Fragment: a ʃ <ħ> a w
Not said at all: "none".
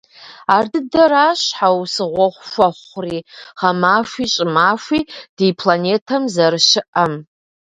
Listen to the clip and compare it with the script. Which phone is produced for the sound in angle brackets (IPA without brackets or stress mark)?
ħ